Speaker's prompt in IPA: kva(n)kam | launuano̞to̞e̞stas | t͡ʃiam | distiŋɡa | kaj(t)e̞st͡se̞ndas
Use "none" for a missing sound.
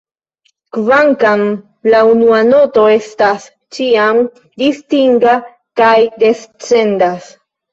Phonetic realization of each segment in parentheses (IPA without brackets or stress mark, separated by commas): ŋ, d